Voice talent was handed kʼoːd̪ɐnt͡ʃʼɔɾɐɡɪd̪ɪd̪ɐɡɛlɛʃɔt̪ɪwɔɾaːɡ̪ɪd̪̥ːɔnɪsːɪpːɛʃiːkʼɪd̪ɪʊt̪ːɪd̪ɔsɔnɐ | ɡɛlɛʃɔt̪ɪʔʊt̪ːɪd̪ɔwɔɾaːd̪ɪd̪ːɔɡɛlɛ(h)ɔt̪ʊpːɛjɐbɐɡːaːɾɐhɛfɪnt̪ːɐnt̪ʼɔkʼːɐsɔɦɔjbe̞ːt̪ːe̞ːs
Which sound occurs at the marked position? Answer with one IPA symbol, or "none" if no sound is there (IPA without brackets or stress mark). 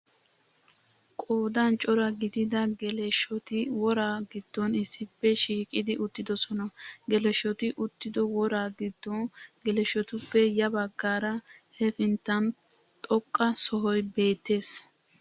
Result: ʃ